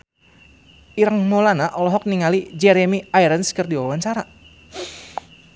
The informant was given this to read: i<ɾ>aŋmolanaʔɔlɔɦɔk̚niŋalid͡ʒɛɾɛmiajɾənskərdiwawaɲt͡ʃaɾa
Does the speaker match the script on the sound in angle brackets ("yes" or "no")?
yes